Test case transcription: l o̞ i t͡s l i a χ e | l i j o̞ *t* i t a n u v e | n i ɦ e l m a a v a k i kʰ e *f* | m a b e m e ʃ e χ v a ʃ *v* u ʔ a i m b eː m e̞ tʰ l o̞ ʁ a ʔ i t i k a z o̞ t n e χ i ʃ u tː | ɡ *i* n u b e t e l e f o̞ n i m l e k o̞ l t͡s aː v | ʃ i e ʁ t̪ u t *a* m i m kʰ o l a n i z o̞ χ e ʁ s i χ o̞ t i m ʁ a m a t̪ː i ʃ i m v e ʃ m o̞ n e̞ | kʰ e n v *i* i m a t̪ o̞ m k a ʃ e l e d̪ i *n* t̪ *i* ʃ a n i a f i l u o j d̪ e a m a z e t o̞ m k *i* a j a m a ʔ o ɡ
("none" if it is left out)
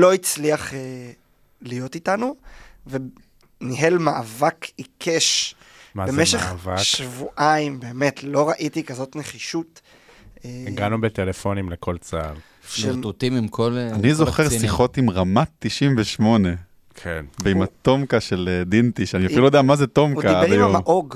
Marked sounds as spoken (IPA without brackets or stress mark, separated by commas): t, ʃ, v, a, i, e, n, i, a